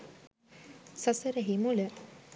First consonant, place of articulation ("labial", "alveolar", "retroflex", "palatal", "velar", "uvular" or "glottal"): alveolar